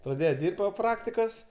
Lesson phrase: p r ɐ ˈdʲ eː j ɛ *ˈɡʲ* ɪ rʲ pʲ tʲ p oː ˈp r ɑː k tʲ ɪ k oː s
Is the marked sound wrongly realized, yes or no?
yes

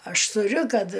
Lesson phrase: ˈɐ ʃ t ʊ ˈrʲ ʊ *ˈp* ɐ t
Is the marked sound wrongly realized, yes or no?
yes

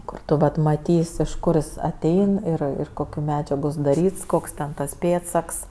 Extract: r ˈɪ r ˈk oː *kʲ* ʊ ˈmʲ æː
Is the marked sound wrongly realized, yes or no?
no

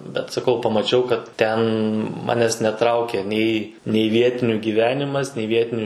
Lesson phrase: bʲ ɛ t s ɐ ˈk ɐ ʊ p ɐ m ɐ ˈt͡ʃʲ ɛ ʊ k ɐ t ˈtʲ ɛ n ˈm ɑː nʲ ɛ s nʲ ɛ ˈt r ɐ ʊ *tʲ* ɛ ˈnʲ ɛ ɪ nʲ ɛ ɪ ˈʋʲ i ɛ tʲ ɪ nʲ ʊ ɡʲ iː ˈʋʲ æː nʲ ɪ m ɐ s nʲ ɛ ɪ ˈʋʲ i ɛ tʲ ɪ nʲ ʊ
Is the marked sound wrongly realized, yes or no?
yes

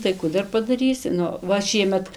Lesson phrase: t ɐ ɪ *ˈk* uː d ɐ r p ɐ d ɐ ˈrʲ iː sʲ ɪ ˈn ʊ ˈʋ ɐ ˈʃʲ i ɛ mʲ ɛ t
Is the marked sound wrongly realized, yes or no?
no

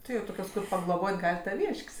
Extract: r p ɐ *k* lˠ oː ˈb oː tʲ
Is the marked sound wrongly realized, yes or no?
yes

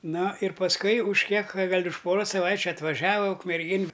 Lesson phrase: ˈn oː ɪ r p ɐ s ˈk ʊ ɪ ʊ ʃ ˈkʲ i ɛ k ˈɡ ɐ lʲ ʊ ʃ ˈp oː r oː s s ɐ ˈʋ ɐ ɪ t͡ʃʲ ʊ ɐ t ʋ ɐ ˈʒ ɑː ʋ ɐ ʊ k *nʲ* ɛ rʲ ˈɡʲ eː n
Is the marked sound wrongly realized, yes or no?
yes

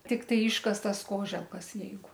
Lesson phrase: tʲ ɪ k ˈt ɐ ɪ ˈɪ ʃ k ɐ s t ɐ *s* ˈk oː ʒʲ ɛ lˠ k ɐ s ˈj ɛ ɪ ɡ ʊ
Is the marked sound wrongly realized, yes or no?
no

